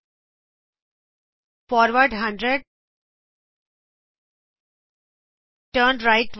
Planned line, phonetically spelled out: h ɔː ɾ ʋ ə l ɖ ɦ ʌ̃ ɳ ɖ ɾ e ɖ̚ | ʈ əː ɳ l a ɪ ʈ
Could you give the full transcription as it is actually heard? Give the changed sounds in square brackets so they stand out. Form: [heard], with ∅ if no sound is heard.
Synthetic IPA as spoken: [f] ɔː ɾ ʋ ə [ɾ] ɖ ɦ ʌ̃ ɳ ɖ ɾ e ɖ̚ | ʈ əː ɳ [ɾ] a ɪ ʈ